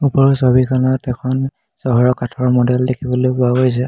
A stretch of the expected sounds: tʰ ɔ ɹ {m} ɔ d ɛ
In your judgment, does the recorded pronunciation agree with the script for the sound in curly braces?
yes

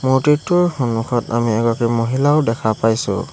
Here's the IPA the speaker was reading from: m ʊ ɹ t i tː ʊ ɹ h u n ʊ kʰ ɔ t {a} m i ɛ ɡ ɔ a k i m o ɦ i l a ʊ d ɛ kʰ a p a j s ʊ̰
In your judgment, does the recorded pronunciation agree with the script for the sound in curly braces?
yes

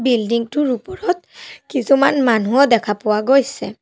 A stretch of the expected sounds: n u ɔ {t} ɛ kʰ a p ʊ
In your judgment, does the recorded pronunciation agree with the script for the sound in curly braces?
no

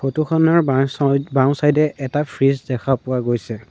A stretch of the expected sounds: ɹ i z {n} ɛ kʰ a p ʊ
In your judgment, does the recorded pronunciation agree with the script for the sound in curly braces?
no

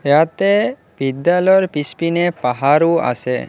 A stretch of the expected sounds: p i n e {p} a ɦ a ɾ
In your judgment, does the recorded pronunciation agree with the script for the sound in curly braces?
yes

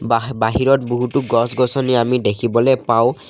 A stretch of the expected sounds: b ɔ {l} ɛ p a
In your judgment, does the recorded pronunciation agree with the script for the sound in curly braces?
yes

